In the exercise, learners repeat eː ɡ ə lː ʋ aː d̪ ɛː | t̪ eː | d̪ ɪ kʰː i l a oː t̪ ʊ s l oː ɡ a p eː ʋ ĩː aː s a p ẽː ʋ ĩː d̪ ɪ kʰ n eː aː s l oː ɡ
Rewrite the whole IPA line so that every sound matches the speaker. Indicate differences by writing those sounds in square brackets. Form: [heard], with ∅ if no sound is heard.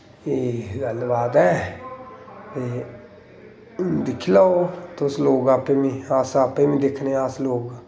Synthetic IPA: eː ɡ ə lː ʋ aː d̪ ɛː | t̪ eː | d̪ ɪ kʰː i l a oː t̪ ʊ s l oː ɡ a p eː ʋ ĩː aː s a p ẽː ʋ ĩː d̪ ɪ kʰ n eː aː s l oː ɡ